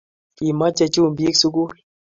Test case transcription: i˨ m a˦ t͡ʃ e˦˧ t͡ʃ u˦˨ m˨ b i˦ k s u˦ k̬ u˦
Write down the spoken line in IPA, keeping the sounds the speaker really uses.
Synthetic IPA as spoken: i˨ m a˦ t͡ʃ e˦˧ t͡ʃ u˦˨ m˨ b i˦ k s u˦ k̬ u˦